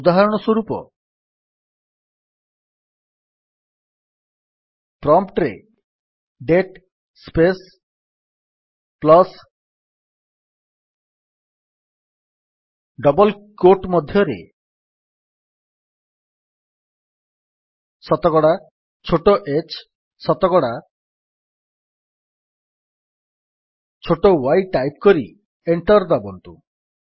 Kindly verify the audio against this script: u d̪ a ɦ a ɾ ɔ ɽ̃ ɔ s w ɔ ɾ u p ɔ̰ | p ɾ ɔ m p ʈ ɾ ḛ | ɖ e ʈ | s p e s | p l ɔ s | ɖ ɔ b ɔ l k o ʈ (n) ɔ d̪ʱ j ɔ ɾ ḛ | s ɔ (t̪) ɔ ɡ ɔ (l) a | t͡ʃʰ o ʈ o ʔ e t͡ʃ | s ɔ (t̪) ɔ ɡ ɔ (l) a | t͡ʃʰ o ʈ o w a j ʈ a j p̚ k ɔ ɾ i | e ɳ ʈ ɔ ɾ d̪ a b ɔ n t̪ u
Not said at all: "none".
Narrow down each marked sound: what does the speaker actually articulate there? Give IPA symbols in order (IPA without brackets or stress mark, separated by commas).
m, t̪, ɽ, t̪, ɽ